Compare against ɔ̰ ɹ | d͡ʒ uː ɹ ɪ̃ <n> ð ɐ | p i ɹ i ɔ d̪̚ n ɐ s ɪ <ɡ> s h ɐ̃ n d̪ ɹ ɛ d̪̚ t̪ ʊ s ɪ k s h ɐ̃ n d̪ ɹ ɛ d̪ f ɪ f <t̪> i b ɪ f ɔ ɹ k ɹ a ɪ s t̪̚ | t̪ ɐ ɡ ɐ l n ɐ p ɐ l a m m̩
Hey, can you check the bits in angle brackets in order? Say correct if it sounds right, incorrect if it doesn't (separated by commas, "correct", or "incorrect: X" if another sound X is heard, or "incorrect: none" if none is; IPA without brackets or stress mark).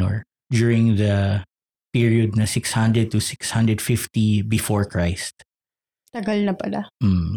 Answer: incorrect: ŋ, incorrect: k, correct